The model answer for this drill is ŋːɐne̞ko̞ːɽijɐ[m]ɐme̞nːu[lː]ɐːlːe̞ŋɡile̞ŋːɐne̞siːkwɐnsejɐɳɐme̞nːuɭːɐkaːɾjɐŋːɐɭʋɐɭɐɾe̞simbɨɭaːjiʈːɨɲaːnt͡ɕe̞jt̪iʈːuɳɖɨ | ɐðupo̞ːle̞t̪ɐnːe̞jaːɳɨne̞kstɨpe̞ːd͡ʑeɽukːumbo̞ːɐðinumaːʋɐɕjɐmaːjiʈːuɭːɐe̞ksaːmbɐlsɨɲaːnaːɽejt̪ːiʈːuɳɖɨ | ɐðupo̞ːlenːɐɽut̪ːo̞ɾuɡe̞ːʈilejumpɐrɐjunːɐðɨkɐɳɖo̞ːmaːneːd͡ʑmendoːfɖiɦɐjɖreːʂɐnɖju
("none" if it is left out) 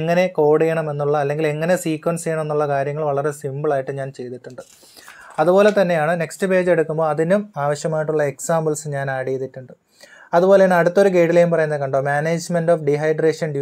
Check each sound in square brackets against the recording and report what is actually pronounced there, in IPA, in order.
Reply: ɳ, ɭː

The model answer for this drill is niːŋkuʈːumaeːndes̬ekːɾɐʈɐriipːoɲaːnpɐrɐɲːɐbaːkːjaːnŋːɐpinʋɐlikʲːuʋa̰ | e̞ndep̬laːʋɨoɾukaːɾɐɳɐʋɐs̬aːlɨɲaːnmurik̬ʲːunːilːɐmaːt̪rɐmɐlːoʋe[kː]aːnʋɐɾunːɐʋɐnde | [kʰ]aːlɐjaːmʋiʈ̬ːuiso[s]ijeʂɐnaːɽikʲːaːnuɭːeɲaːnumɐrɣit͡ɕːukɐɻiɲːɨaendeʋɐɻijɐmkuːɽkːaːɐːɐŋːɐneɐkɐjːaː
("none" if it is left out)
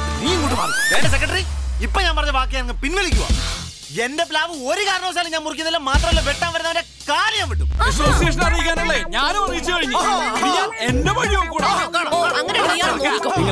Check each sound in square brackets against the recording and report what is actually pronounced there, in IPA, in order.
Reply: ʈː, k, s

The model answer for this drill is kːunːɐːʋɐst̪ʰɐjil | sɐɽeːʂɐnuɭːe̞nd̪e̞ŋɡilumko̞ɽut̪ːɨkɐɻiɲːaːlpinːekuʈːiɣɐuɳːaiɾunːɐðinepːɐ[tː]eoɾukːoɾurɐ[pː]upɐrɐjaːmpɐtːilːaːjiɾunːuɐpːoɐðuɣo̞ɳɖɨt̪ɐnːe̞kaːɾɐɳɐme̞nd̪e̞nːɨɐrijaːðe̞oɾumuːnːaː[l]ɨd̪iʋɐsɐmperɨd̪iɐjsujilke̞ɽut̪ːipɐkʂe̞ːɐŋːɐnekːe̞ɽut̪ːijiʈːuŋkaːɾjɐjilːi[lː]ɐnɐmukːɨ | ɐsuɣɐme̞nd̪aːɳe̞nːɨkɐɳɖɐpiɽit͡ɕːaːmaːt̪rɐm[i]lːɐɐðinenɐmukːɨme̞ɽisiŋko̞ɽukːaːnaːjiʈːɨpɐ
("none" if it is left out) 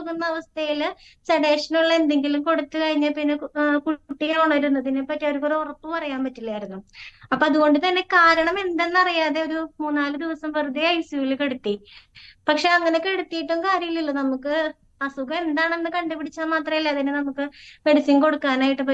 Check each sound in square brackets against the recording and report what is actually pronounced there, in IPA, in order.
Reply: tː, pː, l, lː, i

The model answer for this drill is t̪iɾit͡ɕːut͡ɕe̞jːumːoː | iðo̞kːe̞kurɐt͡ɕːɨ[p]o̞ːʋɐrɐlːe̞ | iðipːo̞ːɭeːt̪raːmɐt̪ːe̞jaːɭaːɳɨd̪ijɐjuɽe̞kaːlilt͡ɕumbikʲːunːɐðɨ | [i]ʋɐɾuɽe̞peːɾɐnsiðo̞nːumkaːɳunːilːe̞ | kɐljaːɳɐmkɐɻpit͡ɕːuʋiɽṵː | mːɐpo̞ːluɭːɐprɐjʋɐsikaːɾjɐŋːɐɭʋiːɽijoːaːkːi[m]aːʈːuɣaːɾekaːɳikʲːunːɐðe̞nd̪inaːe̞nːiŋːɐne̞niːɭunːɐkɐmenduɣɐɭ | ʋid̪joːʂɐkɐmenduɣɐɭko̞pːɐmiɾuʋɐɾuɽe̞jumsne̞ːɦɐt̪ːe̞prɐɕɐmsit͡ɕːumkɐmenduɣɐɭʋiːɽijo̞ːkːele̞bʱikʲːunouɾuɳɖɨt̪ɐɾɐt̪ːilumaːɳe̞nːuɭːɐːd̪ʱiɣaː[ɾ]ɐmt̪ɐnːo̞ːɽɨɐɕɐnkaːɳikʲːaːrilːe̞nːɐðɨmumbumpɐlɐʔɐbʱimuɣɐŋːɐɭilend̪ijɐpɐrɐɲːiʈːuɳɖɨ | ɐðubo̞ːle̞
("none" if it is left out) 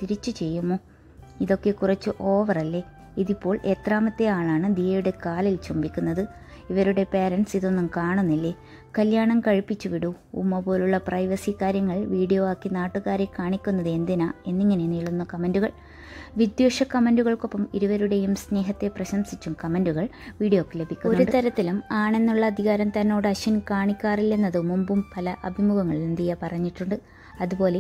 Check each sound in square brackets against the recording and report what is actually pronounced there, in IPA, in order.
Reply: ʔ, i, n, ɾ

